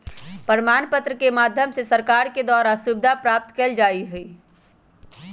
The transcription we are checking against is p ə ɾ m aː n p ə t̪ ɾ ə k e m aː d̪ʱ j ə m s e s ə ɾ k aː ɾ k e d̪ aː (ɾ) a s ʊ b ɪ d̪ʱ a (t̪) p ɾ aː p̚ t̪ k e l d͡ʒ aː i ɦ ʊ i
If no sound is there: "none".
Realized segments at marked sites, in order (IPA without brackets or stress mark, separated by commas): ɾ, none